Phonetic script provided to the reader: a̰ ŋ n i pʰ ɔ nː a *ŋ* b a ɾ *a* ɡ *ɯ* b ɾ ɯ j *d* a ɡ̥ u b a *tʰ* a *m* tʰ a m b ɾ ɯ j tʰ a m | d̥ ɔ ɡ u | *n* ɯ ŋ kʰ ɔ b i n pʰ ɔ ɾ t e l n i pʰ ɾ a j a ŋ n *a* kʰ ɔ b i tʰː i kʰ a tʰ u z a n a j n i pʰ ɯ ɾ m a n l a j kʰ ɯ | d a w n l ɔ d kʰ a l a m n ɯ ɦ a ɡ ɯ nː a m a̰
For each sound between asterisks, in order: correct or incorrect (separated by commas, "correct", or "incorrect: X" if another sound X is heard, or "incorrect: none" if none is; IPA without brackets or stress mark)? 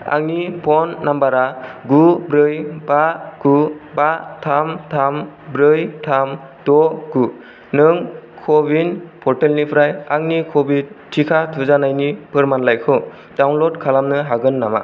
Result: incorrect: m, correct, incorrect: u, incorrect: b, correct, correct, correct, incorrect: i